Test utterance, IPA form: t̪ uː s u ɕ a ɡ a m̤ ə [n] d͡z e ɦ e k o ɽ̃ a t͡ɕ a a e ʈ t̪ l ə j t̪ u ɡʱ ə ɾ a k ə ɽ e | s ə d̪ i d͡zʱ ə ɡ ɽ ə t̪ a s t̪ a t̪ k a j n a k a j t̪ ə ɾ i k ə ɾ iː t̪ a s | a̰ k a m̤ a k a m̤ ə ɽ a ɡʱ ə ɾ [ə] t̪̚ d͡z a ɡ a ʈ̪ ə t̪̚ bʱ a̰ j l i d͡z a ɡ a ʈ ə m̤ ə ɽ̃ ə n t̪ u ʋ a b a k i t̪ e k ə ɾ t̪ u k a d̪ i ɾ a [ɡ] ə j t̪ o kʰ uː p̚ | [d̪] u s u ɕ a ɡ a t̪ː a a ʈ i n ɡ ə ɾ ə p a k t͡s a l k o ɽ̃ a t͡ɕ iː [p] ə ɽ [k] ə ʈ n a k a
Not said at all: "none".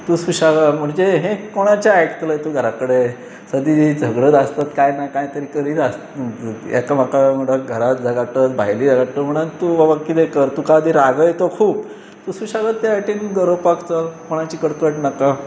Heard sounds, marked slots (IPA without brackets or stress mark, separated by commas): ɳ, a, ɡ, t̪, k, k